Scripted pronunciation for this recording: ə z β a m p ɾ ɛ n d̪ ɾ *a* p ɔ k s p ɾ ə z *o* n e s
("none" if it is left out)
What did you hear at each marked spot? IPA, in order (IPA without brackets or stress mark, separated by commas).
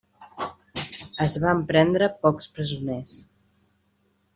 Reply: ə, u